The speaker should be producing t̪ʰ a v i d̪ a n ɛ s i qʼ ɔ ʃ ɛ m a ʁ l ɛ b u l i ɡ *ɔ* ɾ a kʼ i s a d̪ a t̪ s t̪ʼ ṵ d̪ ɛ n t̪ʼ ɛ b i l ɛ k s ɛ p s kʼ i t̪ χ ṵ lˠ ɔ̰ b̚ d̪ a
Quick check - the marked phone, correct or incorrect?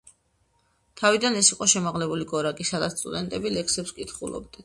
correct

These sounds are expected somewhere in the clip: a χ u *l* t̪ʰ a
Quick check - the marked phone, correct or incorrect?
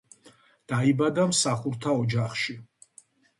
incorrect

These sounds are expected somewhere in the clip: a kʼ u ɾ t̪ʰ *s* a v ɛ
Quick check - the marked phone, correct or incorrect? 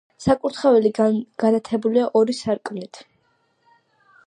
incorrect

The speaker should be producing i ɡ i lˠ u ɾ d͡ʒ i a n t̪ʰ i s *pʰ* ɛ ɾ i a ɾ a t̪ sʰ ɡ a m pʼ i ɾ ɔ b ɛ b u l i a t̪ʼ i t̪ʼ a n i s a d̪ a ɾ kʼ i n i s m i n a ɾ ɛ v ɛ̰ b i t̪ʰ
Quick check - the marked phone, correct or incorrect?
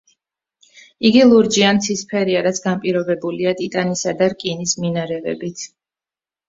correct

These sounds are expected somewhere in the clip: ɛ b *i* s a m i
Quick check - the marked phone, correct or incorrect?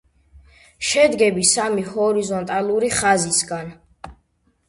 correct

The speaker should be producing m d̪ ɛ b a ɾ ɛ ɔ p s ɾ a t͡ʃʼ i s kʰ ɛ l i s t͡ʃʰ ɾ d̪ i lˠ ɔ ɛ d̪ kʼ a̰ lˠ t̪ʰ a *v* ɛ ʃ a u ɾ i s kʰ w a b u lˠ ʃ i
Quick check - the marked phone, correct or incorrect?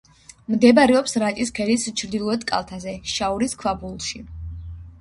incorrect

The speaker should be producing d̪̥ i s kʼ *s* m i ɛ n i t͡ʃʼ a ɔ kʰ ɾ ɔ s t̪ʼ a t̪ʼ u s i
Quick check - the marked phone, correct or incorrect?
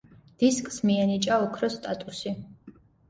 correct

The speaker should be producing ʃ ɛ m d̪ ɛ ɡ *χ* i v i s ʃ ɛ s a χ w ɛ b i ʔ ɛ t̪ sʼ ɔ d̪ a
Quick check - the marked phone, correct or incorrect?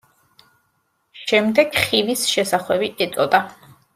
correct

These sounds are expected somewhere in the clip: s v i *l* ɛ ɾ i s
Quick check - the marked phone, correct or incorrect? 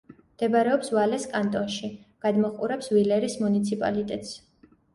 correct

